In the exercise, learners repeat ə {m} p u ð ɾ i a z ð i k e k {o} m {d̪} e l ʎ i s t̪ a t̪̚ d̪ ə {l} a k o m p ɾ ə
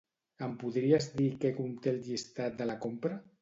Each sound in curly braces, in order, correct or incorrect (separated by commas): correct, incorrect, incorrect, correct